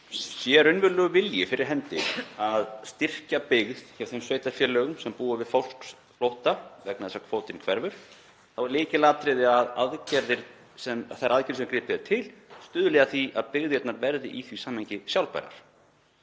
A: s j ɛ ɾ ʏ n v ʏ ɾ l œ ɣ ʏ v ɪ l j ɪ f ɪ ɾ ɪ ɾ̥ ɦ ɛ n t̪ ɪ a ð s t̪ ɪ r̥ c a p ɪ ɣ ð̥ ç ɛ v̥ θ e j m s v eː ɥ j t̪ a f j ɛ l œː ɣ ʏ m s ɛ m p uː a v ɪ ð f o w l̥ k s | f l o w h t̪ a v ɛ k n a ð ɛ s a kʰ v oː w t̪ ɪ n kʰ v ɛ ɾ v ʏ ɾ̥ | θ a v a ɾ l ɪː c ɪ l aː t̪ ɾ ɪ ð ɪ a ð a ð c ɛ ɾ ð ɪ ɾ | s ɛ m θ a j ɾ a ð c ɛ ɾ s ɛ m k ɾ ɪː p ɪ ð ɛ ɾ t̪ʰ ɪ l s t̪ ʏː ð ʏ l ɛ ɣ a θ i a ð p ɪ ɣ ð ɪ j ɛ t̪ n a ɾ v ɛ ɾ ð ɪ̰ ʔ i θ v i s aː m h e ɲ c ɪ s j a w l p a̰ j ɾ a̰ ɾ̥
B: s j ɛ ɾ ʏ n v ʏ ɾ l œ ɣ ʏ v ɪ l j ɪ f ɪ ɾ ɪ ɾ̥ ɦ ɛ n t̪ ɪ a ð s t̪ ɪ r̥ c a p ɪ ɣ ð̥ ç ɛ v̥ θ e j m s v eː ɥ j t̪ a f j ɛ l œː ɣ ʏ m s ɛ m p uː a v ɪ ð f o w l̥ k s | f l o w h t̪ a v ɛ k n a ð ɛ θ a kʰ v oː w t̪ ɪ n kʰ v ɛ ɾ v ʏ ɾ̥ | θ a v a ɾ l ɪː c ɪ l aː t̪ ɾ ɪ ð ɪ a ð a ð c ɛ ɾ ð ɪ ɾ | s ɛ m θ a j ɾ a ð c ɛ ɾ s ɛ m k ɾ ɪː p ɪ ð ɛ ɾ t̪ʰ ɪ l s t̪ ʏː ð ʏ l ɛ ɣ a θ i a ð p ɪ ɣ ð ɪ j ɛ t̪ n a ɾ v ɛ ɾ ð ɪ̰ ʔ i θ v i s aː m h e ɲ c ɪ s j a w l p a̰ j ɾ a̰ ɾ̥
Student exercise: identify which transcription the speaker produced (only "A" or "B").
A